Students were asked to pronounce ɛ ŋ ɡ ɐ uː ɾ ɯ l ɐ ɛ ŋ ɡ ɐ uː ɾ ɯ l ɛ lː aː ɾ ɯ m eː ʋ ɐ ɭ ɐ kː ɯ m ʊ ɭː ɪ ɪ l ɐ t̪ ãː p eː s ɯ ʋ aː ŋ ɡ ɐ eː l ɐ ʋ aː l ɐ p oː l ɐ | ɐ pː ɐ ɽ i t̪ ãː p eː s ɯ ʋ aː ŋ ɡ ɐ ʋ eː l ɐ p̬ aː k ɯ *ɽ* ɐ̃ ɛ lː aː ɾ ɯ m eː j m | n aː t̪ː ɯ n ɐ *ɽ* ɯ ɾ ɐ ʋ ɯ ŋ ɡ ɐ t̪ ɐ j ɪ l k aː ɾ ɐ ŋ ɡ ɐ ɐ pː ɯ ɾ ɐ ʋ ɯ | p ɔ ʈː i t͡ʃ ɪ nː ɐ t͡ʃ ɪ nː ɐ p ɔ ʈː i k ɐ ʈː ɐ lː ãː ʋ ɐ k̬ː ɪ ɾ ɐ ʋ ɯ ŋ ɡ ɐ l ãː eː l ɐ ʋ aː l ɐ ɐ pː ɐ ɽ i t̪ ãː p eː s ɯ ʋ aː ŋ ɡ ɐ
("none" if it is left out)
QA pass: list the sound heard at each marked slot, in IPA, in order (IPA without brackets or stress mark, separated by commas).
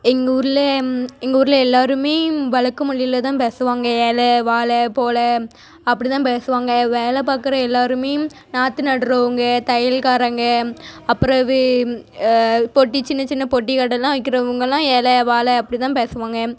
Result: ɾ, ɽ